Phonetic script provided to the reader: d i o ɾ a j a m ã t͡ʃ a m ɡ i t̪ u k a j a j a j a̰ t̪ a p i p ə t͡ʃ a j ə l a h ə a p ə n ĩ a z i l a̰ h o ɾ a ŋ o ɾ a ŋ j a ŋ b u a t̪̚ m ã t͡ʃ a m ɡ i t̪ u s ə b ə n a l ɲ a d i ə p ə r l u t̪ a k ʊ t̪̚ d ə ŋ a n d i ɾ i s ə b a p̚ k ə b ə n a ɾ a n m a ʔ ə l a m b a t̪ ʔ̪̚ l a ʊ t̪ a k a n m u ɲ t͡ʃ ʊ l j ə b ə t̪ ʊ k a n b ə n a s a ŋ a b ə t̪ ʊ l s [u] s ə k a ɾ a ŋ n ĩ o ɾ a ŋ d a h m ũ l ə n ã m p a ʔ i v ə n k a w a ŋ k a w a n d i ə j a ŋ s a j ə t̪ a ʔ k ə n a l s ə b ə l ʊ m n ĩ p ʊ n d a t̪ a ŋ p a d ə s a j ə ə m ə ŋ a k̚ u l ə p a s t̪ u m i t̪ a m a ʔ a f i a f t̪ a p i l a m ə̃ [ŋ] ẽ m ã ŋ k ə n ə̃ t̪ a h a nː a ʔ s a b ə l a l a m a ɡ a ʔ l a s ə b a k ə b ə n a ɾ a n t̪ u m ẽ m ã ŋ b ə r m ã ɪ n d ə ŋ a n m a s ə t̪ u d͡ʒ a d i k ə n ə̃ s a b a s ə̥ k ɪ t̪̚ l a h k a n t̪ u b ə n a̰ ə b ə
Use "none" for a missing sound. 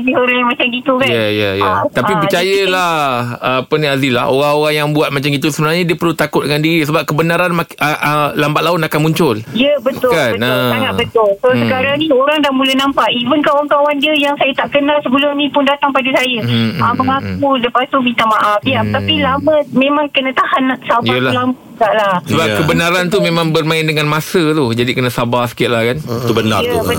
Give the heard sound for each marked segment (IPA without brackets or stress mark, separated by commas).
o, m